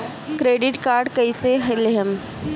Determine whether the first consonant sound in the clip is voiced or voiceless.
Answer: voiceless